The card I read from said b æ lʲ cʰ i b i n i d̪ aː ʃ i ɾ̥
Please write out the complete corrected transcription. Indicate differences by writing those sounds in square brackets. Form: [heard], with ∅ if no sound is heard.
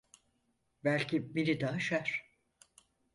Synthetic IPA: b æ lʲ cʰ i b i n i d̪ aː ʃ [a] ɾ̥

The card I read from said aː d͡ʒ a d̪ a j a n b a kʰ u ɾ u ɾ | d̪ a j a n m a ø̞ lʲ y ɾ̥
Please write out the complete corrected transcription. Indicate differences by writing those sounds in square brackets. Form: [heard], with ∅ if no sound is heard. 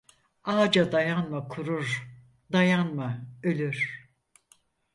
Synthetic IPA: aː d͡ʒ a d̪ a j a n [m] a kʰ u ɾ u ɾ | d̪ a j a n m a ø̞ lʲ y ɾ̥

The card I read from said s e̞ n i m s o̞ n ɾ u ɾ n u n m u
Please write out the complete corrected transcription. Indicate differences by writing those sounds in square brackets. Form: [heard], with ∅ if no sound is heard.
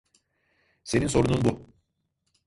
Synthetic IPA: s e̞ n i [n] s o̞ [∅] ɾ u [∅] n u n [b] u

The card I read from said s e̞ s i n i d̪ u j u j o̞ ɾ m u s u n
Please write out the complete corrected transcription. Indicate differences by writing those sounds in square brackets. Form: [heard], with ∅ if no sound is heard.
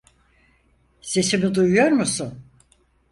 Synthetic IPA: s e̞ s i [m] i d̪ u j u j o̞ ɾ m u s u n

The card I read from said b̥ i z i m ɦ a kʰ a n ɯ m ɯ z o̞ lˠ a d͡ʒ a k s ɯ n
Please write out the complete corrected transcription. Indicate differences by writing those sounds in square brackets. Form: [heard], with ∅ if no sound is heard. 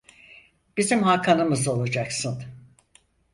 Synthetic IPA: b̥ i z i m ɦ a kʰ a n ɯ m ɯ z o̞ lˠ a d͡ʒ a k s ɯ n

